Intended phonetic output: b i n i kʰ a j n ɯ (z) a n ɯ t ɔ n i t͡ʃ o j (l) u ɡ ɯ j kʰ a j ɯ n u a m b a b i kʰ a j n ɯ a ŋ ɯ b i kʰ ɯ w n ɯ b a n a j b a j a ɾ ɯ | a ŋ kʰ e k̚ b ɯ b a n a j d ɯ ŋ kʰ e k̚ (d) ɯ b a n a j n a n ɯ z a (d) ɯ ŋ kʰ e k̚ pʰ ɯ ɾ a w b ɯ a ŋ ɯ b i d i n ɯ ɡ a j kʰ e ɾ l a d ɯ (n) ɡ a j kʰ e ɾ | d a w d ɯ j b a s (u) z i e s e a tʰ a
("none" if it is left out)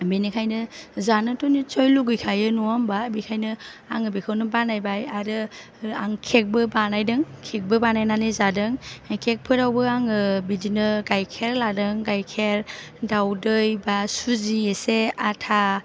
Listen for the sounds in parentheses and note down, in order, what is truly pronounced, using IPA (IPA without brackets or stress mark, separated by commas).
z, l, b, d, ŋ, u